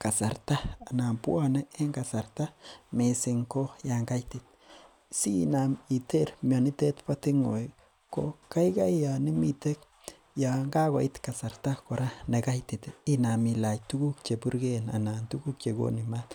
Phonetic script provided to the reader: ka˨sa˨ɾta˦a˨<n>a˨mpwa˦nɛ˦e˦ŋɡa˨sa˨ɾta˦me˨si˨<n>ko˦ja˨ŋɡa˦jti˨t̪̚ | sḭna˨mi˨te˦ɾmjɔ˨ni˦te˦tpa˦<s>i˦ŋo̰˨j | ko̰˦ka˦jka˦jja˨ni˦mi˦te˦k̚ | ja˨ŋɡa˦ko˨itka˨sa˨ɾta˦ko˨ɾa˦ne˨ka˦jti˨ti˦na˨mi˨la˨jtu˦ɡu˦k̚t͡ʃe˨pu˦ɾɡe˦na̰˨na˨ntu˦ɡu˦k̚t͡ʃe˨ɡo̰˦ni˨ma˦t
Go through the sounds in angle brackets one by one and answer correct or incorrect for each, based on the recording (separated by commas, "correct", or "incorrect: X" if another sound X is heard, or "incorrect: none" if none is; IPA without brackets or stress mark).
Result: correct, incorrect: ŋ, incorrect: t